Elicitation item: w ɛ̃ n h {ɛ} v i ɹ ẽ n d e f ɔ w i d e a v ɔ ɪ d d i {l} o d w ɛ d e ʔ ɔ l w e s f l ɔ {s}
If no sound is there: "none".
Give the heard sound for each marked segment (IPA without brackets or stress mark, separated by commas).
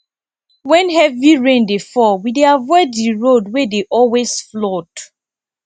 ɛ, ɹ, t